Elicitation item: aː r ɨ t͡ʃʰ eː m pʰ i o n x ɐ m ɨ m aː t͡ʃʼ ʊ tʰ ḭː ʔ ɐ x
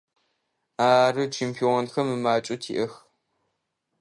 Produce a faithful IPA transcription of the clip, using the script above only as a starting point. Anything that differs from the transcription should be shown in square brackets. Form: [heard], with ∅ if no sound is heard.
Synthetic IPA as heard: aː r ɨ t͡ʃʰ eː m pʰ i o n x ɐ m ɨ m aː t͡ʃʼ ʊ tʰ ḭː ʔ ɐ x